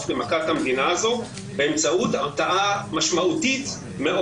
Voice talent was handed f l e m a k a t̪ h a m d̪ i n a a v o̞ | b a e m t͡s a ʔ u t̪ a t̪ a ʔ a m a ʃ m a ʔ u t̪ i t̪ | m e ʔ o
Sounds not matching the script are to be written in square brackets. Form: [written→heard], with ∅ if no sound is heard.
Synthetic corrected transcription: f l e m a k a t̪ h a m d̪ i n a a [v→z] o̞ | b [a→e] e m t͡s a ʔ u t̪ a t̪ a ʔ a m a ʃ m a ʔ u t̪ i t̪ | m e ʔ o